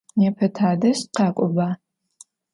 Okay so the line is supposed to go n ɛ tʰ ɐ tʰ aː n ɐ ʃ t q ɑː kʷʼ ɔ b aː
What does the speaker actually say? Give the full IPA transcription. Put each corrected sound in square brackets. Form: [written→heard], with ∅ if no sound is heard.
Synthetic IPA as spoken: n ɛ [tʰ→pʰ] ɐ tʰ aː [n→d] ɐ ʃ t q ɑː kʷʼ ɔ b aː